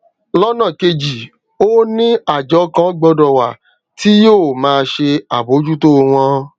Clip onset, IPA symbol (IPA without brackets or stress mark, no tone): l